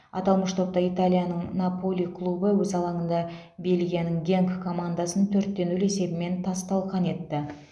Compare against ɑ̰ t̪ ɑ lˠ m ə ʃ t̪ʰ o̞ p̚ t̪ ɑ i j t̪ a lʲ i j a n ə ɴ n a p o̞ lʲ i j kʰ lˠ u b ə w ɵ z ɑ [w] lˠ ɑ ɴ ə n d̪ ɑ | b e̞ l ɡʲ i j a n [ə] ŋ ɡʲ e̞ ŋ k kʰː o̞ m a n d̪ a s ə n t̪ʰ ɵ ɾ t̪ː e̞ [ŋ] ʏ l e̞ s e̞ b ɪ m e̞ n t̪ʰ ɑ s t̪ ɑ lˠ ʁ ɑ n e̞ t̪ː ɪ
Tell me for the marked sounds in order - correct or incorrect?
incorrect, correct, incorrect

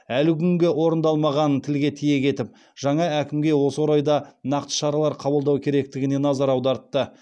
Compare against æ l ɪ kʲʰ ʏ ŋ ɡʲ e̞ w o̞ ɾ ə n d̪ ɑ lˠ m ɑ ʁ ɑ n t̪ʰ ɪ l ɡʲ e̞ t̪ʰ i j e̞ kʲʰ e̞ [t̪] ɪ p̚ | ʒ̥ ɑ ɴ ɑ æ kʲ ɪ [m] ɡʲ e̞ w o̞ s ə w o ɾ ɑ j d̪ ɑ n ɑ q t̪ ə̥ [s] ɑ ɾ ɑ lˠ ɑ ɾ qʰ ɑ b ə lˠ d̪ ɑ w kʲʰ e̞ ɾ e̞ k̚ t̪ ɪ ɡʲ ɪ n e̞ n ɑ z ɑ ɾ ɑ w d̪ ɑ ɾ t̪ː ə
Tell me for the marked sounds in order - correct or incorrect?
correct, correct, incorrect

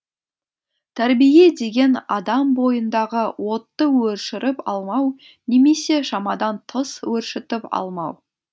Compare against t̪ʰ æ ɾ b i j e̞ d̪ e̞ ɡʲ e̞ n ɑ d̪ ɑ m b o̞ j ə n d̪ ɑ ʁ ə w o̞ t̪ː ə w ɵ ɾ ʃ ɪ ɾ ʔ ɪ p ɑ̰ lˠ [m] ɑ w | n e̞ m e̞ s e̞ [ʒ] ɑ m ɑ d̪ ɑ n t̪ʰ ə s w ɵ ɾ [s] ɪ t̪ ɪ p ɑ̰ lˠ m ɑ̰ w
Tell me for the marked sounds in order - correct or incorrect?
correct, incorrect, incorrect

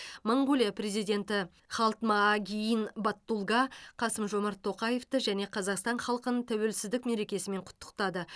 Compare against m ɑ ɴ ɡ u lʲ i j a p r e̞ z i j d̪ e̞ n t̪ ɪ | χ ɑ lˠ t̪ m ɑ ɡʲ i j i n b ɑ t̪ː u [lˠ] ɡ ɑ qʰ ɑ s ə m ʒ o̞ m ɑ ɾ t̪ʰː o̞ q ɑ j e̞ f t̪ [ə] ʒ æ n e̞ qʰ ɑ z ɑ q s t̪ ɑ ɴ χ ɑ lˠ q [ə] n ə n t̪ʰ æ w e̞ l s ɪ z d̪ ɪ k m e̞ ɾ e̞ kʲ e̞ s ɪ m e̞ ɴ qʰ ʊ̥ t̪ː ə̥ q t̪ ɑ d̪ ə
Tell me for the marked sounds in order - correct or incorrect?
correct, correct, correct

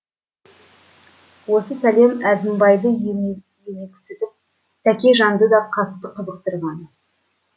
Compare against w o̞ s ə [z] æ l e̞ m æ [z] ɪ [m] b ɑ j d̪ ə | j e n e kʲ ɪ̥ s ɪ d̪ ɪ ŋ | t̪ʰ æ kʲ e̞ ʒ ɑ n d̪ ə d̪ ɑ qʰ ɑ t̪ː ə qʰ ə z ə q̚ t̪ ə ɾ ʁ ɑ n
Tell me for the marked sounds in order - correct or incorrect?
incorrect, correct, correct

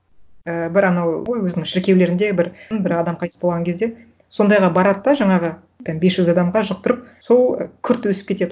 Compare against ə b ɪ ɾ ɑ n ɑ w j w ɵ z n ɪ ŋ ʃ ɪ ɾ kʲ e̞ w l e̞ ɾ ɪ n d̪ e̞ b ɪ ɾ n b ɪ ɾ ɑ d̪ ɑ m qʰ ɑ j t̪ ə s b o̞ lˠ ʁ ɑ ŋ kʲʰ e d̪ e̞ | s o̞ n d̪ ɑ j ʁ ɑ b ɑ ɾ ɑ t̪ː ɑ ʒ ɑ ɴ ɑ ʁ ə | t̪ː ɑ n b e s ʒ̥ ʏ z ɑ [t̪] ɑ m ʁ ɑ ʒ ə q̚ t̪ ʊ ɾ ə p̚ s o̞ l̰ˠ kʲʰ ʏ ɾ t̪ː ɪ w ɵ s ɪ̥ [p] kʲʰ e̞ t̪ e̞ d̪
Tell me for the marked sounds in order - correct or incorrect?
incorrect, correct

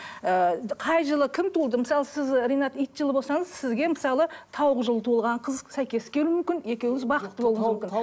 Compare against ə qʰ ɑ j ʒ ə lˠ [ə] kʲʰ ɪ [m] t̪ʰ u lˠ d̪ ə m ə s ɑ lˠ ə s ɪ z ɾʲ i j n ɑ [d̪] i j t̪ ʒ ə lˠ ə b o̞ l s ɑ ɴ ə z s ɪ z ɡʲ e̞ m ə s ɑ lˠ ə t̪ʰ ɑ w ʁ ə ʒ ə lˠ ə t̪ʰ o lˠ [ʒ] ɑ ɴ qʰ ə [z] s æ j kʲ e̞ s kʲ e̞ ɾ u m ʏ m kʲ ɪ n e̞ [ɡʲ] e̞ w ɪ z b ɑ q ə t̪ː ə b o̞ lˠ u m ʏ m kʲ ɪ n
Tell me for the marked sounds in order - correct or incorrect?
correct, correct, incorrect, incorrect, correct, incorrect

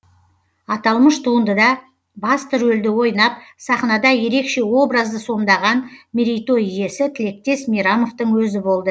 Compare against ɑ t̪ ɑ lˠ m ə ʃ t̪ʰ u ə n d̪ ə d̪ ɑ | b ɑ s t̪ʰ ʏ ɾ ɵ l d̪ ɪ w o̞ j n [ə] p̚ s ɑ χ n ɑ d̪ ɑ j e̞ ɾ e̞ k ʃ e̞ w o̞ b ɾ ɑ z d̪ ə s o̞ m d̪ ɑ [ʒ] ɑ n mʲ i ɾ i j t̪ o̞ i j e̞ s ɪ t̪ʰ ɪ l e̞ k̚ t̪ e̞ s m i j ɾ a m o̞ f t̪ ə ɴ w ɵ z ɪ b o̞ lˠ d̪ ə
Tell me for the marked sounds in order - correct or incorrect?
incorrect, incorrect

